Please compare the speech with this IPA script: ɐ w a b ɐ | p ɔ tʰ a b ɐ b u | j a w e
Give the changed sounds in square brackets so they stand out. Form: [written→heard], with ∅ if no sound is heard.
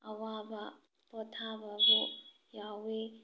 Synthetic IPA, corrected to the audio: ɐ w a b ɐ | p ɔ tʰ a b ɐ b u | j a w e